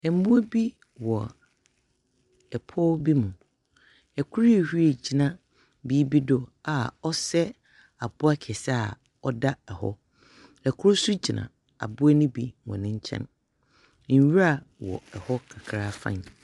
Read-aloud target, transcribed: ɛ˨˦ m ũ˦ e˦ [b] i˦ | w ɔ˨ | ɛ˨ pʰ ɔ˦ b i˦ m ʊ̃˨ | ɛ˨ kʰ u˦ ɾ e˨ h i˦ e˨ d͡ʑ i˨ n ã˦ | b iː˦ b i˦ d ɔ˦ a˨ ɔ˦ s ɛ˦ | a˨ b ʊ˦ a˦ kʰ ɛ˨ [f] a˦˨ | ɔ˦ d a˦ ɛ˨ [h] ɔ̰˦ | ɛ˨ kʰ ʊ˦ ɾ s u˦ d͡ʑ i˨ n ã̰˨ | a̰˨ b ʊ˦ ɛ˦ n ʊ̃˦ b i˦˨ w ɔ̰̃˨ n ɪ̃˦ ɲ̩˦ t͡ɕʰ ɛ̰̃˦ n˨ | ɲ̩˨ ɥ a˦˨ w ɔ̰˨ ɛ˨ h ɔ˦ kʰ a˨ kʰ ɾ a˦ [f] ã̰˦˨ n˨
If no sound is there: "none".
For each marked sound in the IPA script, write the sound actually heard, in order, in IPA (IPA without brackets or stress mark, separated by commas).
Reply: b, s, h, f